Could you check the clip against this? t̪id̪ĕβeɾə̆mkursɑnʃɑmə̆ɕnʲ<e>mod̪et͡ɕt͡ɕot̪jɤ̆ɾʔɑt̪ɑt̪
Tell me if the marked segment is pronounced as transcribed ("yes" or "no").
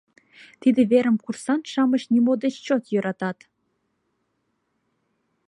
no